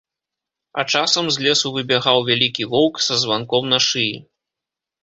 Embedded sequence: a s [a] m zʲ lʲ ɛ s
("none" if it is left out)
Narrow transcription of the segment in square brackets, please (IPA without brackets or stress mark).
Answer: ɐ